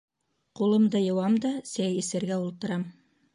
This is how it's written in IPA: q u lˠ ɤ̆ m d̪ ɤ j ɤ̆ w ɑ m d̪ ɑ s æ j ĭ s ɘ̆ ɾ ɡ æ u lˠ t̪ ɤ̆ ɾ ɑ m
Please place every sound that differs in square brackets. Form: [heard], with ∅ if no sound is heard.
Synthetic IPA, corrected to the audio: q u lˠ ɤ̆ m d̪ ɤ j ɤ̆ w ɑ m d̪ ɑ s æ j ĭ s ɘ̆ ɾ ɡ æ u lˠ t̪ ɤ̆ ɾ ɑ m